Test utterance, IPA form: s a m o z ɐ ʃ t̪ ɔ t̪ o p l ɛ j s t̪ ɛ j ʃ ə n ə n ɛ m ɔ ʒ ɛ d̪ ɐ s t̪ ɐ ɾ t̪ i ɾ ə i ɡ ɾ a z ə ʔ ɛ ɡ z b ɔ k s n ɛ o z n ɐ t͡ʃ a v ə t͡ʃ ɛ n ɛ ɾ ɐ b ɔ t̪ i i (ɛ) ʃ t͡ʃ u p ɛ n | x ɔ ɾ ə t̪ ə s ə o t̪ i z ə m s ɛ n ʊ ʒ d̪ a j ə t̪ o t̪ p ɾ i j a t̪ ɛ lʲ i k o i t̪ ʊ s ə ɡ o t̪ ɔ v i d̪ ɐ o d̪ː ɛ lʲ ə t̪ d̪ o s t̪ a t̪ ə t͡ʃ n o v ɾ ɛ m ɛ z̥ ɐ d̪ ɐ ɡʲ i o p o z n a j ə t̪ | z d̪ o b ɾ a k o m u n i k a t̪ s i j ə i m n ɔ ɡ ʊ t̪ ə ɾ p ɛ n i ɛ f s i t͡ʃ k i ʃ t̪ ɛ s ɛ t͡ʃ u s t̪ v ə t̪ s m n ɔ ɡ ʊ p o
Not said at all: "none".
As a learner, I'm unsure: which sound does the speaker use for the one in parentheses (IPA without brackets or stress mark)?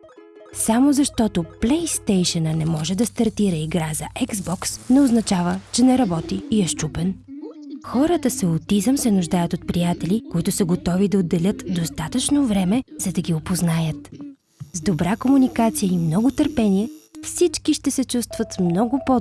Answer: ɛ